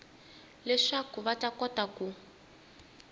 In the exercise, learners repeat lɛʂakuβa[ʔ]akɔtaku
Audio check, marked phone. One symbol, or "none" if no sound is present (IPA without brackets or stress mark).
t